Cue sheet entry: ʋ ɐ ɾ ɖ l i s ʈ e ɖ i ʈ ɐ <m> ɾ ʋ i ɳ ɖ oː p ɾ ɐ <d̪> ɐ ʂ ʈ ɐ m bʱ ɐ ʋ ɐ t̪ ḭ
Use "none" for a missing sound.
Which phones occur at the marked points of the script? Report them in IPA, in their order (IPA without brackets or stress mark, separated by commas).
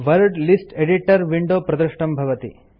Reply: none, d̪